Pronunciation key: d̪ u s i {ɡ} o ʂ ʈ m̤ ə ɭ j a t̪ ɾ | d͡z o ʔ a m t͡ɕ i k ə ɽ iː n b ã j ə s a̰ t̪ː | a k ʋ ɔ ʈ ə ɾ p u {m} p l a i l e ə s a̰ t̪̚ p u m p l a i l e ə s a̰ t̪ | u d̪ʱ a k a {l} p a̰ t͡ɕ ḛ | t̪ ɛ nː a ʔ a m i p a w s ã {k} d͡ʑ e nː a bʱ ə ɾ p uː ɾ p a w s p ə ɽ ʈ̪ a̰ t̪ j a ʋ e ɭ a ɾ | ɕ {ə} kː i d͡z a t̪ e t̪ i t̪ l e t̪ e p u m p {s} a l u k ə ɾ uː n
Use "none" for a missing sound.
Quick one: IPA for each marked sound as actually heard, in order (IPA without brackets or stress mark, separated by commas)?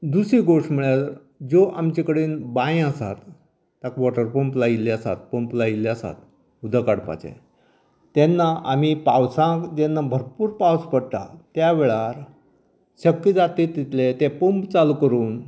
ɡ, m, ɽ, k, ə, t͡s